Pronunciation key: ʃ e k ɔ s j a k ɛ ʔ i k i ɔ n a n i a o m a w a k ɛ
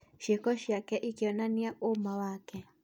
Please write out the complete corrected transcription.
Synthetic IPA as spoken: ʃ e k ɔ ʃ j a k ɛ ʔ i k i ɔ n a n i a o m a w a k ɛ